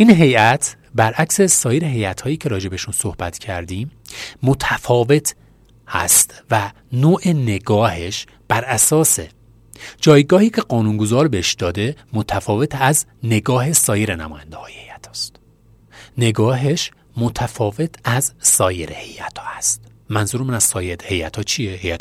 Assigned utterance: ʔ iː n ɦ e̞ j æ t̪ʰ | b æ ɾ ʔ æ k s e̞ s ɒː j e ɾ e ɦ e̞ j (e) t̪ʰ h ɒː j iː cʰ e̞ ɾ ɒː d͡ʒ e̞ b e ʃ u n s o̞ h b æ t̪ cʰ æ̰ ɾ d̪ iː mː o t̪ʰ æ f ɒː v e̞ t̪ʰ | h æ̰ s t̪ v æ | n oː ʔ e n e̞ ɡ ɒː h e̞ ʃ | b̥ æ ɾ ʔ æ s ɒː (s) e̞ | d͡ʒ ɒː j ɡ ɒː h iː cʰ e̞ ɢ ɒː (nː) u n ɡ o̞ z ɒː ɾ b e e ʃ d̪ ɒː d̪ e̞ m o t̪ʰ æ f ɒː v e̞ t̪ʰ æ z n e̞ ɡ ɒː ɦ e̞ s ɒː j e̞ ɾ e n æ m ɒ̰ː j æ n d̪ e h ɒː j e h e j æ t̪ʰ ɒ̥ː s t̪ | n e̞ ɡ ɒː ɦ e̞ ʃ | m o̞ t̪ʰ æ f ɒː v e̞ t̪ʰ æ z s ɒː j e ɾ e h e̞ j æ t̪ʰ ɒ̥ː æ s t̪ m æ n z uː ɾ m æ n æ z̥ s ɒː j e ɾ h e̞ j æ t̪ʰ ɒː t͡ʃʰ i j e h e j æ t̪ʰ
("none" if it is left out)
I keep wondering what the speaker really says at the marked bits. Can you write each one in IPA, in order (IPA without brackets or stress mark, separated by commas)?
æ, s, n